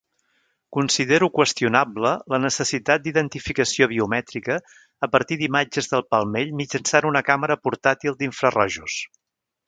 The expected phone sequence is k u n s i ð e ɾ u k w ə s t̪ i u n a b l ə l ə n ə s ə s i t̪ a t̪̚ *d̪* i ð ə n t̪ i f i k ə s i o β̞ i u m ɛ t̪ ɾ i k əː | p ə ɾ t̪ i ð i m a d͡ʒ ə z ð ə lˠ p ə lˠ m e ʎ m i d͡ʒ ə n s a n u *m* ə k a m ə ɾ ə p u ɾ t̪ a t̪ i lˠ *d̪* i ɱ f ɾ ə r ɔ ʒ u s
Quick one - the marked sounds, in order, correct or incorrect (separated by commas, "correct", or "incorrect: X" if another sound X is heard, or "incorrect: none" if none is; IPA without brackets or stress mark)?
correct, incorrect: n, correct